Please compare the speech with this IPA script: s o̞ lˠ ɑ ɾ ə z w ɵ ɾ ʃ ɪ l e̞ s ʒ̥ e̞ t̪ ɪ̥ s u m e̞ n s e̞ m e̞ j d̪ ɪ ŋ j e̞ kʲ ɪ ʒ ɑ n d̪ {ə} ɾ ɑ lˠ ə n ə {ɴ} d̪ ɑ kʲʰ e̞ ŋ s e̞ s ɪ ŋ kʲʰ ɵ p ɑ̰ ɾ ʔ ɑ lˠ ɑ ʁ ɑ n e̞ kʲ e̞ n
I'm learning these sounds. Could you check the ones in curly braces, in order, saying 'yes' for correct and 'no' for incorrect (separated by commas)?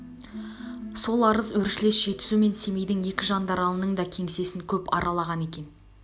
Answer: no, yes